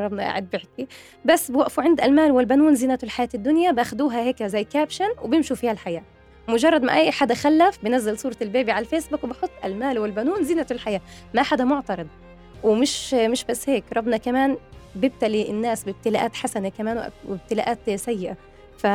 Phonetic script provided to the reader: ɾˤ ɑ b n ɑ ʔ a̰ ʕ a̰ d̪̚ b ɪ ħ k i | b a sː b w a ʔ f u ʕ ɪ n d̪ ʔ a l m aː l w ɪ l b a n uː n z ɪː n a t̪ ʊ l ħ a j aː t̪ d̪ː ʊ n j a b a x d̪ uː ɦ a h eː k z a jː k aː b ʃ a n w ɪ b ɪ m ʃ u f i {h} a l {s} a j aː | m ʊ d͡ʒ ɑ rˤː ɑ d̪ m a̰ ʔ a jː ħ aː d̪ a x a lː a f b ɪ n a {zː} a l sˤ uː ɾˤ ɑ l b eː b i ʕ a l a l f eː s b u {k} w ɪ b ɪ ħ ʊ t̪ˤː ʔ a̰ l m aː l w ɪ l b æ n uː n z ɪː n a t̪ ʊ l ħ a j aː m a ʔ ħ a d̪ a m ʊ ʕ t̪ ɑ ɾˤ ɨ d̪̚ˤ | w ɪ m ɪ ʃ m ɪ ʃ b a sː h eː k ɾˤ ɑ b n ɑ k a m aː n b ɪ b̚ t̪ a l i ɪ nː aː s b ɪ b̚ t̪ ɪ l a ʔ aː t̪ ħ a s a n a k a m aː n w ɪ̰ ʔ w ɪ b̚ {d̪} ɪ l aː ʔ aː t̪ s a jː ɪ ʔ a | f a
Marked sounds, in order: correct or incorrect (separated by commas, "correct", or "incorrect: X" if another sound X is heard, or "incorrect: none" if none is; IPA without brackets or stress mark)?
correct, incorrect: ħ, correct, correct, incorrect: t̪